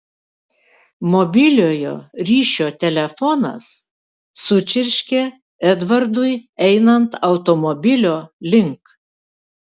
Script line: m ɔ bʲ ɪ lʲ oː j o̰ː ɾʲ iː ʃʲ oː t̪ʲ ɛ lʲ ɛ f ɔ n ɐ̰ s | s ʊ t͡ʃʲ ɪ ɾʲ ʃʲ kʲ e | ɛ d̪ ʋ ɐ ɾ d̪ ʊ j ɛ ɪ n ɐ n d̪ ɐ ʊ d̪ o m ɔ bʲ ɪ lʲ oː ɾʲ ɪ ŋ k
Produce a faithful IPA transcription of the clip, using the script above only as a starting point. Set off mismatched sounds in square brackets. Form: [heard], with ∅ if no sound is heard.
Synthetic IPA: m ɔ bʲ ɪ lʲ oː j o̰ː ɾʲ iː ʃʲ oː t̪ʲ ɛ lʲ ɛ f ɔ n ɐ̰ s | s ʊ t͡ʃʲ ɪ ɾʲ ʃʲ kʲ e | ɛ d̪ ʋ ɐ ɾ d̪ ʊ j ɛ ɪ n ɐ n [t̪] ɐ ʊ [t̪] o m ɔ bʲ ɪ lʲ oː [lʲ] ɪ ŋ k

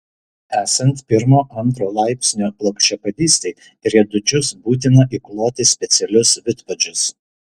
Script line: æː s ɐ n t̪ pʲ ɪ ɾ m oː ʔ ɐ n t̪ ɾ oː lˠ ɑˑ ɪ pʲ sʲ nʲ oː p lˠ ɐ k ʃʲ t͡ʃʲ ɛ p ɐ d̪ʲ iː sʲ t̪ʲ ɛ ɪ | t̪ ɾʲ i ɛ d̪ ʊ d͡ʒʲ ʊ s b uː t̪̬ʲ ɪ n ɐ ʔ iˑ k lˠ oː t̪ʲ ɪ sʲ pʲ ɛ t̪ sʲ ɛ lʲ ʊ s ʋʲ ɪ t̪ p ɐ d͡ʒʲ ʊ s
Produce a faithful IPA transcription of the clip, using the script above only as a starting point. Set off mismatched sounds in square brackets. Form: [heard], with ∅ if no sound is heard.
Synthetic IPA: æː s ɐ n t̪ pʲ ɪ ɾ m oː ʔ ɐ n t̪ ɾ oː lˠ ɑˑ ɪ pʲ sʲ nʲ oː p lˠ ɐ k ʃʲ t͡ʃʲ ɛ p ɐ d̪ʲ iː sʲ t̪ʲ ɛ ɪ | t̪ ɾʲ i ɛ d̪ ʊ d͡ʒʲ ʊ s b uː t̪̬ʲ ɪ n ɐ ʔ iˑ k lˠ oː t̪ʲ ɪ sʲ pʲ ɛ t̪ sʲ ɛ lʲ ʊ s ʋʲ ɪ t̪ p ɐ d͡ʒʲ ʊ s

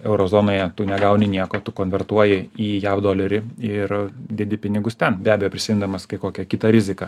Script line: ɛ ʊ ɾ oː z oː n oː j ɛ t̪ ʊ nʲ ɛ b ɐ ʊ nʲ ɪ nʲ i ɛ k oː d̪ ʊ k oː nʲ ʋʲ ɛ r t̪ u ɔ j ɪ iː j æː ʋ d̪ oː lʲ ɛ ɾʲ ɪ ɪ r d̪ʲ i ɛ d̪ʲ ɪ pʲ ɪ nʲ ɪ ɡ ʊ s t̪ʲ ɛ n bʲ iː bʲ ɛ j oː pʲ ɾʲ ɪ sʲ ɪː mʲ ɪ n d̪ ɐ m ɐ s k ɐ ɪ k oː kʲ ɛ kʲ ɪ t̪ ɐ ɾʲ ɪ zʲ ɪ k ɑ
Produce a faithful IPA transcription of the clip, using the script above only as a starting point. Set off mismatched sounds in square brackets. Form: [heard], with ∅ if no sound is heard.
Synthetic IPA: ɛ ʊ ɾ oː z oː n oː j ɛ t̪ ʊ nʲ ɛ [ɡ] ɐ ʊ nʲ ɪ nʲ i ɛ k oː [t̪] ʊ k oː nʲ ʋʲ ɛ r t̪ u ɔ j ɪ iː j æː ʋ d̪ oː lʲ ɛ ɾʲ ɪ ɪ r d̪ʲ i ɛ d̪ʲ ɪ pʲ ɪ nʲ ɪ ɡ ʊ s t̪ʲ ɛ n bʲ [æː] bʲ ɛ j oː pʲ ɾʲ ɪ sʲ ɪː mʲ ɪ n d̪ ɐ m ɐ s k ɐ ɪ k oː kʲ ɛ kʲ ɪ t̪ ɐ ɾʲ ɪ zʲ ɪ k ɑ

